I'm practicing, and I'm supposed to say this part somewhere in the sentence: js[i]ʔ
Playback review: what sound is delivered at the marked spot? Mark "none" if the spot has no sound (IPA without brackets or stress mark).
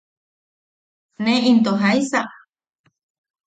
a